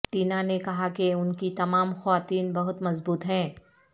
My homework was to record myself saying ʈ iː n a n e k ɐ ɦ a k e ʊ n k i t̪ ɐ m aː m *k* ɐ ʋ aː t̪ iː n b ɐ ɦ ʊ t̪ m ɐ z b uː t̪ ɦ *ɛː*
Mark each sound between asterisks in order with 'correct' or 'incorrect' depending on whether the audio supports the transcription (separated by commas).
incorrect, incorrect